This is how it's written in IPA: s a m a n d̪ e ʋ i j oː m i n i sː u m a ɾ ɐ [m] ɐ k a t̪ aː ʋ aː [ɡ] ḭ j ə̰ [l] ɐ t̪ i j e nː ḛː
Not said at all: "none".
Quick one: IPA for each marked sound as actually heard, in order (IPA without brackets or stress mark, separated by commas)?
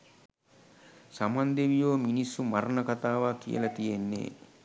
n, k, l